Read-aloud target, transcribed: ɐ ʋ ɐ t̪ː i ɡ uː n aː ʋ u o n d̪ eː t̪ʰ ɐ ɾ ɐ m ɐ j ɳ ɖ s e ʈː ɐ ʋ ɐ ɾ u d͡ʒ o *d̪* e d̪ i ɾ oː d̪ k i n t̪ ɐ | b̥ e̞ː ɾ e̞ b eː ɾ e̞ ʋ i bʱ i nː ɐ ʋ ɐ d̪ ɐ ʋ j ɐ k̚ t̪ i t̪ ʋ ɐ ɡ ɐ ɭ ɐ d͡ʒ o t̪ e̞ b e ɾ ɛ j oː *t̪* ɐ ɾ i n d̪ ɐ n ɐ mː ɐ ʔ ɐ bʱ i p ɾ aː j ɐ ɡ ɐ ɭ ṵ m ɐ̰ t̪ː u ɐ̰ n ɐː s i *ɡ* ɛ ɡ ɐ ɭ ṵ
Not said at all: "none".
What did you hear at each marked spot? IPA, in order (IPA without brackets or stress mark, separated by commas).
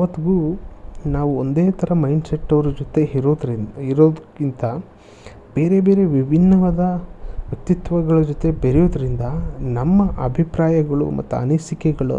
t̪, d̪, k